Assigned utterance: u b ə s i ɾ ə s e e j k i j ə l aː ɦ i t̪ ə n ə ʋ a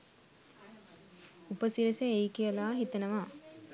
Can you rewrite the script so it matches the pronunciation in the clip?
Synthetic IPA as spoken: u p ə s i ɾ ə s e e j k i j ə l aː ɦ i t̪ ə n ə ʋ a